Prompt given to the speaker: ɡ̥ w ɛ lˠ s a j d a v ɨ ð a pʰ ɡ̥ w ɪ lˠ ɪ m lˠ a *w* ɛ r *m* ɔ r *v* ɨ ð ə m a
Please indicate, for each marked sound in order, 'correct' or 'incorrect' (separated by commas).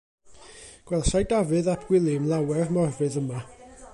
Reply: correct, correct, correct